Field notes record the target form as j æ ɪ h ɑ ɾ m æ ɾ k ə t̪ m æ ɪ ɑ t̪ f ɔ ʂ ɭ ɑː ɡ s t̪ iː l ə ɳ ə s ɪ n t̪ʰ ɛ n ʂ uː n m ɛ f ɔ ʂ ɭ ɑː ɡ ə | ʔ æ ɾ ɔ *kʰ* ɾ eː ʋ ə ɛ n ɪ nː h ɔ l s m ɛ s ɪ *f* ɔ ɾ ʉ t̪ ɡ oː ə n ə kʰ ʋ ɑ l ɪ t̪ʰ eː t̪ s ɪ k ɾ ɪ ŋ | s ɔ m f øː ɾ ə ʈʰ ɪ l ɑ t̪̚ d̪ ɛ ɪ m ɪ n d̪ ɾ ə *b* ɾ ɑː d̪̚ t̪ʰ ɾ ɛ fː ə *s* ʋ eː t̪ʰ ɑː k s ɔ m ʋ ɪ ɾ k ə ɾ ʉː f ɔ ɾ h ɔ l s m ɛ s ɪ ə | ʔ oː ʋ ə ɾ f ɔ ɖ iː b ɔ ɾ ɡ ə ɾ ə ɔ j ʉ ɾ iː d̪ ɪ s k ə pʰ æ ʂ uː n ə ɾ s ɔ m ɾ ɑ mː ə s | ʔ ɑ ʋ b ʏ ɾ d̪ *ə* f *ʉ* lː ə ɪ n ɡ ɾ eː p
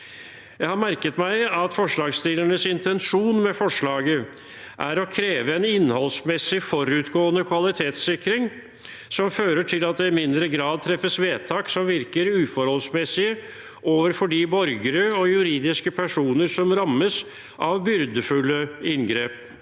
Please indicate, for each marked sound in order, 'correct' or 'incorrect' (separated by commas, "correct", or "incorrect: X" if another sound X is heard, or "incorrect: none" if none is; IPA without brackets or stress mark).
correct, correct, incorrect: ɡ, correct, correct, correct